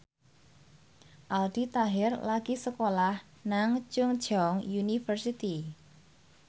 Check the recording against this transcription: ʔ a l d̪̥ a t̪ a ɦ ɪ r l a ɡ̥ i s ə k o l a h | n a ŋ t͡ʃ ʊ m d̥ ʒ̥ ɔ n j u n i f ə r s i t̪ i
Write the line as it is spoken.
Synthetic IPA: ʔ a l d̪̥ i t̪ a ɦ ɪ r l a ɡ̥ i s ə k o l a h | n a ŋ t͡ʃ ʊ ŋ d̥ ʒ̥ ɔ ŋ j u n i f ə r s i t̪ i